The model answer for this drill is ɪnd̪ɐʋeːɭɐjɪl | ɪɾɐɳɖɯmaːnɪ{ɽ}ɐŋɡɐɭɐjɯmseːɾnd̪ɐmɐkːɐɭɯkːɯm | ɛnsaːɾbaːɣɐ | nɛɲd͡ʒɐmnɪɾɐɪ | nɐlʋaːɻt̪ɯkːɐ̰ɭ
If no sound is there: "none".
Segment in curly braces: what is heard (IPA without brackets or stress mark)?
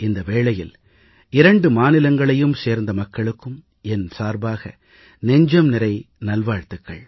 l